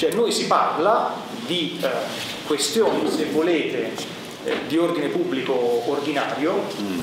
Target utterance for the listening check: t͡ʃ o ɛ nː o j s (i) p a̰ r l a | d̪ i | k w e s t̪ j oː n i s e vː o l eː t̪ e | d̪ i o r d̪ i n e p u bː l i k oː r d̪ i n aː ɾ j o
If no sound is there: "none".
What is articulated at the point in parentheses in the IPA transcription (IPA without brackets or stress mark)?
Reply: i